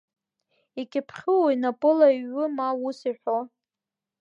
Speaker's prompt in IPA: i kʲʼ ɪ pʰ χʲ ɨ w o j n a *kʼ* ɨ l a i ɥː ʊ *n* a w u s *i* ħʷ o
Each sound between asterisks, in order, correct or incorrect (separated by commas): incorrect, incorrect, correct